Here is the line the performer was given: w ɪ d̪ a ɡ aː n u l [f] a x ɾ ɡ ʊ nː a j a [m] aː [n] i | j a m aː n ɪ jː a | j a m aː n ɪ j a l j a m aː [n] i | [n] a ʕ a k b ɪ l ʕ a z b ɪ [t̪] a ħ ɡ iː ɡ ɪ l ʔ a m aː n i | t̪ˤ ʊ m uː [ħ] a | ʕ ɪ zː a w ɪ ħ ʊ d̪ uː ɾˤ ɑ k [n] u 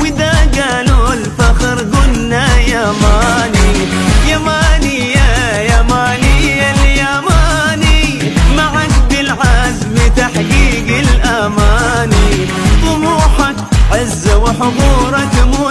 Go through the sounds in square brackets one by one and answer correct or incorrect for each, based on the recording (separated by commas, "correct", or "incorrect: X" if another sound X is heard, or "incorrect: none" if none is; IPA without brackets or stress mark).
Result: correct, correct, correct, correct, incorrect: m, correct, correct, incorrect: m